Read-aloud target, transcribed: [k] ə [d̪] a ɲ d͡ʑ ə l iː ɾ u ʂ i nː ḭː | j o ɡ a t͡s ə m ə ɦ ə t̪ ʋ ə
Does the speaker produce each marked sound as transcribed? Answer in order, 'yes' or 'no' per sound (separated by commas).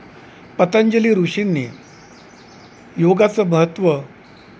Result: no, no